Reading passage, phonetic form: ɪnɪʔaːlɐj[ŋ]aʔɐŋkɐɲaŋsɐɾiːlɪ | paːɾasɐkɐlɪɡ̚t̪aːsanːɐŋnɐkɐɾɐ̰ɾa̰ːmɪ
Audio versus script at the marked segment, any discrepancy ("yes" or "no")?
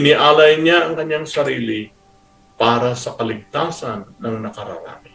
yes